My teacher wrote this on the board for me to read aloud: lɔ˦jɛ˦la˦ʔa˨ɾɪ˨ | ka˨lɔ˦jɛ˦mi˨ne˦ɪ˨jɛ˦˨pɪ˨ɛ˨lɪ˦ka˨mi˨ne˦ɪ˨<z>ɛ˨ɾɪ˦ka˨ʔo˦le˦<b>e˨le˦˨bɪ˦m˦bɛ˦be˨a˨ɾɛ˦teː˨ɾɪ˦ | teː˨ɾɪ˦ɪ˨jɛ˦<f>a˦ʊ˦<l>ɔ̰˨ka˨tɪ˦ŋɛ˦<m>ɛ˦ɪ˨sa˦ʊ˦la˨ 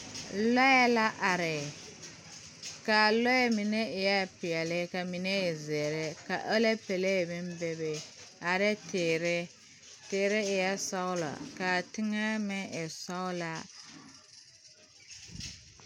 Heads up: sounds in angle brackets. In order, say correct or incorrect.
correct, incorrect: p, incorrect: s, correct, correct

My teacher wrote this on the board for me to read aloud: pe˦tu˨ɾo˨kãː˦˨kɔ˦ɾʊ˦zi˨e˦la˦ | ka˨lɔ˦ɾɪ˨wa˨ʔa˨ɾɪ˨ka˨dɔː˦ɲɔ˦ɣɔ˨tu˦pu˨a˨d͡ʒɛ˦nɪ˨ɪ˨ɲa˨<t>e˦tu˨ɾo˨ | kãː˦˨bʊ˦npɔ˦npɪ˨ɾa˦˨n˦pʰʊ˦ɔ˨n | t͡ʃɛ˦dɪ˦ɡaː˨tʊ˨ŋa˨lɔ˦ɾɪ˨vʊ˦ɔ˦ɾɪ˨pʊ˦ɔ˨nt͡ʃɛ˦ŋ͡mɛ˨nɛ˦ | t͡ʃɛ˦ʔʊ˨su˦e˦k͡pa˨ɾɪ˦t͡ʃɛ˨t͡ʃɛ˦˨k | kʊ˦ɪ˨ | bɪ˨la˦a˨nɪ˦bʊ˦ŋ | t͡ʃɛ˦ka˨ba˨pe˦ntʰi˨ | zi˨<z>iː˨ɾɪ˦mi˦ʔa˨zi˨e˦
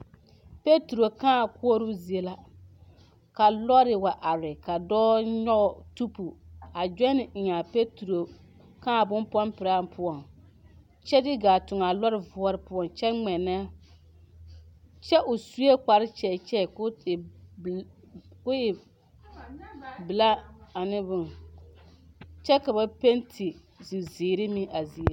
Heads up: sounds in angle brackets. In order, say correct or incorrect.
incorrect: p, correct

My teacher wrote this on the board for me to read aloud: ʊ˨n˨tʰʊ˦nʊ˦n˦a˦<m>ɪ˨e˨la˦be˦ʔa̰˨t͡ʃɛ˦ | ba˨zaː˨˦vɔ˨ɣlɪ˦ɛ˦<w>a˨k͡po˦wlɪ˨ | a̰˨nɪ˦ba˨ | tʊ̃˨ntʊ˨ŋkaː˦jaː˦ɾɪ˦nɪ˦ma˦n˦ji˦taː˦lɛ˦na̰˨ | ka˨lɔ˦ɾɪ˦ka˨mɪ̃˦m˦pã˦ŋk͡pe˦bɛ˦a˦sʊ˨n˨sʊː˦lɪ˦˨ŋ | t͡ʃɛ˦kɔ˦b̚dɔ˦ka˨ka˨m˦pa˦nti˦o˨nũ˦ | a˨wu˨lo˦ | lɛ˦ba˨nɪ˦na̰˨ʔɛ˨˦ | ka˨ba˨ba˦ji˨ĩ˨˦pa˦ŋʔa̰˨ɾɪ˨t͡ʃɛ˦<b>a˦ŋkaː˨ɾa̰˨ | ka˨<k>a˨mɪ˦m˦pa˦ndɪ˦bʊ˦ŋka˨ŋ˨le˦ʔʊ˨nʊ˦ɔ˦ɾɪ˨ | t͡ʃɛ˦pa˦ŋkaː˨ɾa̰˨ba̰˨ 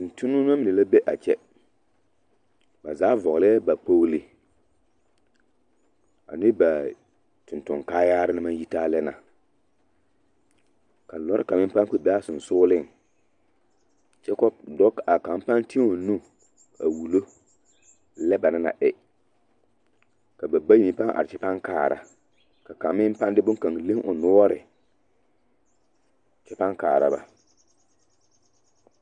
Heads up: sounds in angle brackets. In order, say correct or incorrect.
correct, incorrect: b, incorrect: p, correct

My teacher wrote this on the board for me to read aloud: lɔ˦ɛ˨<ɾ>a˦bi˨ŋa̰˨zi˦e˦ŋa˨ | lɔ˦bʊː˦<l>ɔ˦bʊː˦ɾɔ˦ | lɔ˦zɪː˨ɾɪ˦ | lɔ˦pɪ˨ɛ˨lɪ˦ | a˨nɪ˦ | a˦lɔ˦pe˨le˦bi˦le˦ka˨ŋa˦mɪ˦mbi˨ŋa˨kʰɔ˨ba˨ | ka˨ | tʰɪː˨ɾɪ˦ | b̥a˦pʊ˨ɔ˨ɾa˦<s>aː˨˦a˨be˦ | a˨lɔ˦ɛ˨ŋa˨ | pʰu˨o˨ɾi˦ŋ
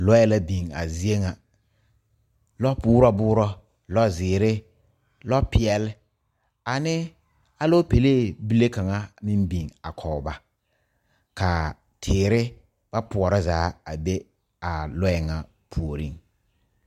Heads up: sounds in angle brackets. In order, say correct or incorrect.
incorrect: l, incorrect: ɾ, incorrect: z

